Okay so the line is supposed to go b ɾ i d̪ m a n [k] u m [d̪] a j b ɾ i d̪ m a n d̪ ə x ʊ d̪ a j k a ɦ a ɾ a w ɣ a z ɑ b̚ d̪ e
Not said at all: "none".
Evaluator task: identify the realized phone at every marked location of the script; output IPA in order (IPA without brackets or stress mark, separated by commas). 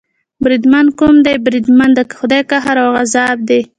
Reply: k, d̪